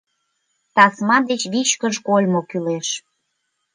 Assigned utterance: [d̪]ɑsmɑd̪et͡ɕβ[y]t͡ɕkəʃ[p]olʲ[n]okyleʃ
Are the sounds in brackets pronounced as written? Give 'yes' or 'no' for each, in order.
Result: no, no, no, no

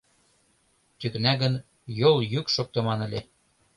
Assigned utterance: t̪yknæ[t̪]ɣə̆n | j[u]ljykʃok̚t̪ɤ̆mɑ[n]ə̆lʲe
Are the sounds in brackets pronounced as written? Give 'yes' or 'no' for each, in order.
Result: no, no, yes

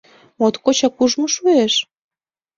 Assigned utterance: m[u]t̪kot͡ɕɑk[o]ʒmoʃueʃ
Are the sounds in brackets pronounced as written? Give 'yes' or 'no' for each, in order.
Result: no, no

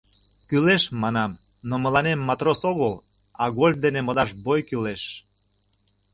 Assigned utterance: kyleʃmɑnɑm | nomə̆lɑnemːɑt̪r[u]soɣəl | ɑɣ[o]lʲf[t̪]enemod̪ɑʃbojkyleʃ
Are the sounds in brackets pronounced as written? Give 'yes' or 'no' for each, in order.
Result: no, yes, no

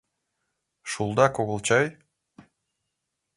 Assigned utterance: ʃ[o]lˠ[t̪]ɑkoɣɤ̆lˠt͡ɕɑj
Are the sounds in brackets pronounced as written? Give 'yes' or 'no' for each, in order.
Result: no, no

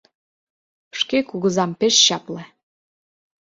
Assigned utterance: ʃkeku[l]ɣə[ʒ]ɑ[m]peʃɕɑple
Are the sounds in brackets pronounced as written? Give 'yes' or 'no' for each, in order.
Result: no, no, yes

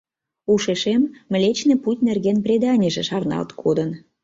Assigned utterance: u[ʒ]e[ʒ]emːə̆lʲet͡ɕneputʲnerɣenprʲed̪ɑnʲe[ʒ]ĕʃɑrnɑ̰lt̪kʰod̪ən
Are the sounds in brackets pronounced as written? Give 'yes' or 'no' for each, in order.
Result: no, no, yes

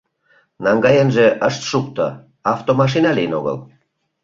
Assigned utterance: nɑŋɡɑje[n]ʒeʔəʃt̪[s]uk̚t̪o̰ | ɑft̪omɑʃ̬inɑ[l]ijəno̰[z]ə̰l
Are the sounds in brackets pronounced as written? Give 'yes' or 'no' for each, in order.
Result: yes, no, yes, no

